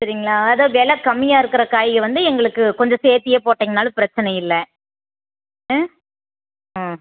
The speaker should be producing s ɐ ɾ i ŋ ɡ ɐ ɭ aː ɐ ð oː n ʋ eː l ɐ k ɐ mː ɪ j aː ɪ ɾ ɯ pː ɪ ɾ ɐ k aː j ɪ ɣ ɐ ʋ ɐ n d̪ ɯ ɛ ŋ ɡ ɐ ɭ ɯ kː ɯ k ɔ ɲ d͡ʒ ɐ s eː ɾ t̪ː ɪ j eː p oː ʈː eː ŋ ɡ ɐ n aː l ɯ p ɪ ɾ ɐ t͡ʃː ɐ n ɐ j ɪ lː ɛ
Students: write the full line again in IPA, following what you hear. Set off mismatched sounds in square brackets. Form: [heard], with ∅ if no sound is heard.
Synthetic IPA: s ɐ ɾ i ŋ ɡ ɐ ɭ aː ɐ ð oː [∅] ʋ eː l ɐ k ɐ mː ɪ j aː ɪ ɾ ɯ [kː] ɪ ɾ ɐ k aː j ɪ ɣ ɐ ʋ ɐ n d̪ ɯ ɛ ŋ ɡ ɐ ɭ ɯ kː ɯ k ɔ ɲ d͡ʒ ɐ s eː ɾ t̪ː ɪ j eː p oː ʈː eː ŋ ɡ ɐ n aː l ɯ p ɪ ɾ ɐ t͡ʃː ɐ n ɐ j ɪ lː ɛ